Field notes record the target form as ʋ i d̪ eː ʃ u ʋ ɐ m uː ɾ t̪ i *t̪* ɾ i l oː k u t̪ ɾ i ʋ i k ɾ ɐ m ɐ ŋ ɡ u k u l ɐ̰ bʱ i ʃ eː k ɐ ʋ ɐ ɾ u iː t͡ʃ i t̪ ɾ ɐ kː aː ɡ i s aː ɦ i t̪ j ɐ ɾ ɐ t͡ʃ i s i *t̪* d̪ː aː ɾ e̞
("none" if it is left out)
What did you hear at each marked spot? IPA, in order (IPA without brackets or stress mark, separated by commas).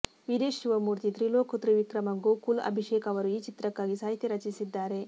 t̪, none